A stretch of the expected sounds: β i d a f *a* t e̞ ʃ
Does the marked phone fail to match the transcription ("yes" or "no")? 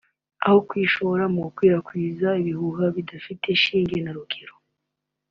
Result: yes